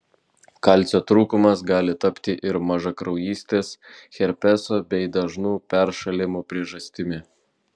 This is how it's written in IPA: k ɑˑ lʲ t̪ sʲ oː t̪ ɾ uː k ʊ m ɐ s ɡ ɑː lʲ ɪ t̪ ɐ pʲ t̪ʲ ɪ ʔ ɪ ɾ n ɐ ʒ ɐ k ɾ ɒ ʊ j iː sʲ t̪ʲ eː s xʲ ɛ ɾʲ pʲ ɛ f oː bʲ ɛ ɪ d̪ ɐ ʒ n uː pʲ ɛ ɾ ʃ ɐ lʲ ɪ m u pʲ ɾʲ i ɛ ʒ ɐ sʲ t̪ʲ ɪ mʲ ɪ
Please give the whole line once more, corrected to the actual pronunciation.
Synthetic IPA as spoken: k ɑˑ lʲ t̪ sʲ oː t̪ ɾ uː k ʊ m ɐ s ɡ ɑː lʲ ɪ t̪ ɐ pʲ t̪ʲ ɪ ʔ ɪ ɾ m ɐ ʒ ɐ k ɾ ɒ ʊ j iː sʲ t̪ʲ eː s xʲ ɛ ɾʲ pʲ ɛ s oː bʲ ɛ ɪ d̪ ɐ ʒ n uː pʲ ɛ ɾ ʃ ɐ lʲ ɪ m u pʲ ɾʲ i ɛ ʒ ɐ sʲ t̪ʲ ɪ mʲ ɪ

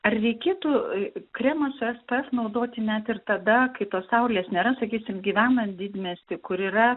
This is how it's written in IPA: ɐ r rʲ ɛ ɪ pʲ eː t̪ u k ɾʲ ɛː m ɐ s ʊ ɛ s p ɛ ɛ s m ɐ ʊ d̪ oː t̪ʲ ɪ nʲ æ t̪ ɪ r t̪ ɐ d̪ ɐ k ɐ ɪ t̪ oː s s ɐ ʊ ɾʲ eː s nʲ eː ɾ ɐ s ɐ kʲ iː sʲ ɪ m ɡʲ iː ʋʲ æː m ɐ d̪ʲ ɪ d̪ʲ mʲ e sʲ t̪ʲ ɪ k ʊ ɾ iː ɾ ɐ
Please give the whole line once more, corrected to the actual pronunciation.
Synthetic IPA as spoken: ɐ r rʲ ɛ ɪ kʲ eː t̪ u k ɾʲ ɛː m ɐ s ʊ ɛ s p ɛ ɛ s n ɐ ʊ d̪ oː t̪ʲ ɪ nʲ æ t̪ ɪ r t̪ ɐ d̪ ɐ k ɐ ɪ t̪ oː s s ɐ ʊ lʲ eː s nʲ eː ɾ ɐ s ɐ kʲ iː sʲ ɪ m ɡʲ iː ʋʲ æː n ɐ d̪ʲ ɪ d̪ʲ mʲ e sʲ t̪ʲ ɪ k ʊ ɾ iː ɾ ɐ

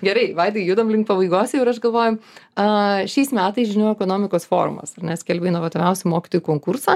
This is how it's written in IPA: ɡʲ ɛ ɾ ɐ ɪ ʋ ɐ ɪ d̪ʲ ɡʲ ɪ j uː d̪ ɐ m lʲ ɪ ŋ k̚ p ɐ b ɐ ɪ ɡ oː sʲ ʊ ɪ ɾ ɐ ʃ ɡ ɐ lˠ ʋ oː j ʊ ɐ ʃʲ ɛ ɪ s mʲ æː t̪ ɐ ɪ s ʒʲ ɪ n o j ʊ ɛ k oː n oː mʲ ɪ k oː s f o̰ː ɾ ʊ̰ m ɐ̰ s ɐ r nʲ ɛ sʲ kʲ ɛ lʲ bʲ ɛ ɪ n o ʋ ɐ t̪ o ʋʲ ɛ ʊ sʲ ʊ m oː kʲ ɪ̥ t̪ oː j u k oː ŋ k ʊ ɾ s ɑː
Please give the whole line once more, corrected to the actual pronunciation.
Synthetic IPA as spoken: ɡʲ ɛ ɾ ɐ ɪ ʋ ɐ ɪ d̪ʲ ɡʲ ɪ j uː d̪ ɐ m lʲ ɪ ŋ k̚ p ɐ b ɐ ɪ ɡ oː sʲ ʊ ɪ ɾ ɐ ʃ ɡ ɐ lˠ ʋ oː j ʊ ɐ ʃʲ ɛ ɪ s mʲ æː t̪ ɐ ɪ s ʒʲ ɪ n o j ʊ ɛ k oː n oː mʲ ɪ k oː s f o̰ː ɾ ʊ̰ m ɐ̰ s ɐ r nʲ ɛ sʲ kʲ ɛ lʲ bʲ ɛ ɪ n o ʋ ɐ t̪ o ʋʲ ɛ ʊ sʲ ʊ m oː kʲ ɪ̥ t̪ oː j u k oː ŋ k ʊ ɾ s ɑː

